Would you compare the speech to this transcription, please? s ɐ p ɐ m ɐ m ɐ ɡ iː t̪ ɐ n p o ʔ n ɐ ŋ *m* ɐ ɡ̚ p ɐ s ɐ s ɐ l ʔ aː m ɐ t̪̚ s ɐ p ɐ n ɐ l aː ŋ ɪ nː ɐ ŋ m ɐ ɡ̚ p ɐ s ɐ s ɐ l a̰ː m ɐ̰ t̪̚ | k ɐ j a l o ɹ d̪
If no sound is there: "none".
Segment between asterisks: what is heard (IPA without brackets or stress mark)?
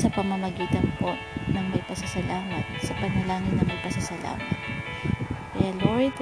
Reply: m